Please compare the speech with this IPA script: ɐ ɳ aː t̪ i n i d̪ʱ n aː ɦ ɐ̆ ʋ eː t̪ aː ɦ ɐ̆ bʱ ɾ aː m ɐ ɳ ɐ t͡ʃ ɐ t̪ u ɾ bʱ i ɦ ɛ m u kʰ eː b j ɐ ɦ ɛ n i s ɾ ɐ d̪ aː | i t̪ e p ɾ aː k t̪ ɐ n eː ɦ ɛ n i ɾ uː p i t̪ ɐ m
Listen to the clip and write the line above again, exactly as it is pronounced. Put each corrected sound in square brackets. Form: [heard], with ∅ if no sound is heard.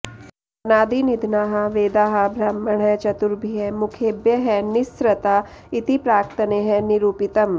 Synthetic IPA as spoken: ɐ [n] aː [d̪] i n i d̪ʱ n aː ɦ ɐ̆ ʋ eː [d̪] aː ɦ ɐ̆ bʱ ɾ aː m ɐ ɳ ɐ t͡ʃ ɐ t̪ u ɾ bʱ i ɦ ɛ m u kʰ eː b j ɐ ɦ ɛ n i s ɾ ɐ [t̪] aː | i t̪ [i] p ɾ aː k t̪ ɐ n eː ɦ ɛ n i ɾ uː p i t̪ ɐ m